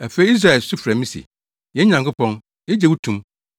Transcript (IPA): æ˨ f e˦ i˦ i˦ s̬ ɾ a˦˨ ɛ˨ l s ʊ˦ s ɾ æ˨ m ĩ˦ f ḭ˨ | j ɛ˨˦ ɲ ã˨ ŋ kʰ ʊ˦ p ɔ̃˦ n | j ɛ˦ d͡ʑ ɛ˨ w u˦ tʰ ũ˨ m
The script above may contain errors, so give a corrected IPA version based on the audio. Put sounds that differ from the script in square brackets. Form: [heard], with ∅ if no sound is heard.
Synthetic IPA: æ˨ f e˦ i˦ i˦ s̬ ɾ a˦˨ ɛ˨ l s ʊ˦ [f] ɾ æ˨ m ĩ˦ [s] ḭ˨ | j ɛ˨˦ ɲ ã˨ ŋ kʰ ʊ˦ p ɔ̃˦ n | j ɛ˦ d͡ʑ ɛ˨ w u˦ tʰ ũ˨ m